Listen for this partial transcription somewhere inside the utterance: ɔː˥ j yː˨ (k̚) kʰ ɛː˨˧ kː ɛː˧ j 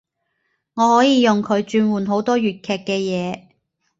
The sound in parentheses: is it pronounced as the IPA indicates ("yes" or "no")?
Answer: no